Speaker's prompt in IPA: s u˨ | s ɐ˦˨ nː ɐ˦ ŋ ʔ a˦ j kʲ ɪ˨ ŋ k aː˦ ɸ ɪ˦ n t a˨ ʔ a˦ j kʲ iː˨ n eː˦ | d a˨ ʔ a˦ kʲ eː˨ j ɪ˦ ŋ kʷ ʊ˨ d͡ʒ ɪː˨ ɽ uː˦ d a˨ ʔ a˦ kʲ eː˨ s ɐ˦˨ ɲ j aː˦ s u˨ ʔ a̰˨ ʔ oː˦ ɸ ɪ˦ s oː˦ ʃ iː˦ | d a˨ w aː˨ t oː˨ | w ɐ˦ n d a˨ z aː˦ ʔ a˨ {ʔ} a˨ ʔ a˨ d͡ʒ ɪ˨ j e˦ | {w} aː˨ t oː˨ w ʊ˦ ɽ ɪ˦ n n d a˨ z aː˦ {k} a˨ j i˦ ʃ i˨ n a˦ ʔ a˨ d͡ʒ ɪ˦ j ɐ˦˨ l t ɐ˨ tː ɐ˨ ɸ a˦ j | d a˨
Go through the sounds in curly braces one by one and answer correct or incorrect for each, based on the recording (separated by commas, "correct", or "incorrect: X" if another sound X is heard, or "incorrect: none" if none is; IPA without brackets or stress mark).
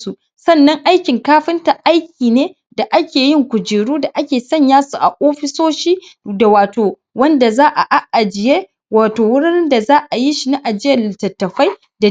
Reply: correct, correct, incorrect: ʔ